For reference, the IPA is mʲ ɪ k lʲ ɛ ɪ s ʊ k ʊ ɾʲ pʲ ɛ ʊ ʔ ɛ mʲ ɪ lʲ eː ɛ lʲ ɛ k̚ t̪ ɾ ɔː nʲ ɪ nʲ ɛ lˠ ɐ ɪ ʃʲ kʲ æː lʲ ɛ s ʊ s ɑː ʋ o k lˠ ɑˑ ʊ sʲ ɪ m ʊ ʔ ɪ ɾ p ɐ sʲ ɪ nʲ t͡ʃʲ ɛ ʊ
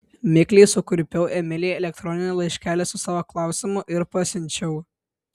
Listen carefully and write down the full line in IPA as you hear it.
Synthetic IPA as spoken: mʲ ɪ k lʲ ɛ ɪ s ʊ k ʊ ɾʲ pʲ ɛ ʊ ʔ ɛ mʲ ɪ lʲ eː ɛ lʲ ɛ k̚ t̪ ɾ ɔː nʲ ɪ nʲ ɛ lˠ ɐ ɪ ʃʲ kʲ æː lʲ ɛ s ʊ s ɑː ʋ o k lˠ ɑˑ ʊ sʲ ɪ m ʊ ʔ ɪ ɾ p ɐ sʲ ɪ nʲ t͡ʃʲ ɛ ʊ